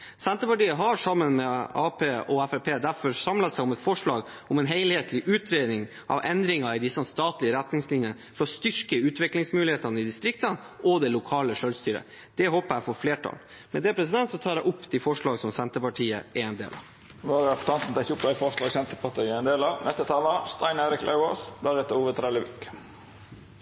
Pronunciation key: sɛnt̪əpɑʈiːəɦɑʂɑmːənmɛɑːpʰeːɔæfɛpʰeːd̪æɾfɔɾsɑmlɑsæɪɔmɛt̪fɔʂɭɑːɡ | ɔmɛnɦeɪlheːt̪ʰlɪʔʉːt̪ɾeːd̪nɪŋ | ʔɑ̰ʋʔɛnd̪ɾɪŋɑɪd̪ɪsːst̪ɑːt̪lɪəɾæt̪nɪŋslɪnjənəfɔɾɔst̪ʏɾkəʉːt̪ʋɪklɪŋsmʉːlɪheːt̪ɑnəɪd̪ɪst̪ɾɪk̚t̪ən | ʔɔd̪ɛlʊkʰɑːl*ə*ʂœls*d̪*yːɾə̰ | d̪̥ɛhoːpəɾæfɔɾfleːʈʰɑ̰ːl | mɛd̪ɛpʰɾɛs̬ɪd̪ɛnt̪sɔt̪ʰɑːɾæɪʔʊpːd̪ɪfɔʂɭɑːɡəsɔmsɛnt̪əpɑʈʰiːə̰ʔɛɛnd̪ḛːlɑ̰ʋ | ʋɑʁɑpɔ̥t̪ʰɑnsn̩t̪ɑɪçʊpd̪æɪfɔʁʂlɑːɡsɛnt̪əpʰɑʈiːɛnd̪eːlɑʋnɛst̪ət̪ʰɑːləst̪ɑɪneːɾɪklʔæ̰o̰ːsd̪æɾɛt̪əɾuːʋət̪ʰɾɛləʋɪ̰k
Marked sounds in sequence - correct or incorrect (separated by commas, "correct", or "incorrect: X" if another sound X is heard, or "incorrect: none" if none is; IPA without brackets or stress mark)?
correct, incorrect: t̪